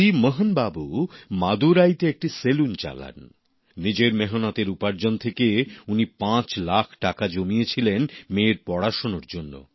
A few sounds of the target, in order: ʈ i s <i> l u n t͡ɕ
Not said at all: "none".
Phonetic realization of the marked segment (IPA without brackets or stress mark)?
e